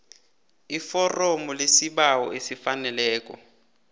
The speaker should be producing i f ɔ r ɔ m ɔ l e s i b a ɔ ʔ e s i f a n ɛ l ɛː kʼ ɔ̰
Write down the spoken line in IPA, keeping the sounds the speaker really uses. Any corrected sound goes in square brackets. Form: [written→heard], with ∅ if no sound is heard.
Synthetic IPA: i f ɔ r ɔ m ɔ l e s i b a ɔ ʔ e s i f a n ɛ l ɛː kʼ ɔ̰